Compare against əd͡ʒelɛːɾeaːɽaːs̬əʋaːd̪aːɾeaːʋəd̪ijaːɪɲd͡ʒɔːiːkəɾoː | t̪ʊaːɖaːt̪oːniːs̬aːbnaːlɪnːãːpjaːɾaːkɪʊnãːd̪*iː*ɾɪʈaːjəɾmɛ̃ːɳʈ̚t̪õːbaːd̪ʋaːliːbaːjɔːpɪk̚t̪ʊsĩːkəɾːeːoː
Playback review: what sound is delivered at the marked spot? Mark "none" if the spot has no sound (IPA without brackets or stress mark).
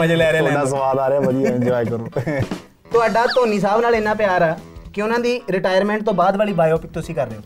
iː